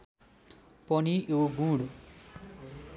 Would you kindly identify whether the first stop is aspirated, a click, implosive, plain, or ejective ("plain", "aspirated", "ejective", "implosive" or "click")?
plain